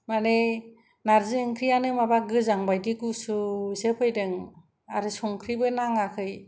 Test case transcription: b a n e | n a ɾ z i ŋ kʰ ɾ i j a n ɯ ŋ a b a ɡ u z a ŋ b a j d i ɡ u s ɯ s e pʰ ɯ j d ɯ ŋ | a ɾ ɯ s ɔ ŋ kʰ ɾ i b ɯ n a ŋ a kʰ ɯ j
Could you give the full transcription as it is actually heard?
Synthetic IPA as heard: m a n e | n a ɾ z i ŋ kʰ ɾ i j a n ɯ m a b a ɡ ɯ z a ŋ b a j d i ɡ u s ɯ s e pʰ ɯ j d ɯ ŋ | a ɾ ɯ s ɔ ŋ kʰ ɾ i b ɯ n a ŋ a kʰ ɯ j